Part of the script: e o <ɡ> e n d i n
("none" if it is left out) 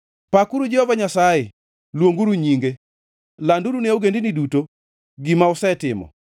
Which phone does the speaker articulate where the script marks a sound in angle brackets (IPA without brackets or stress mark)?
ɡ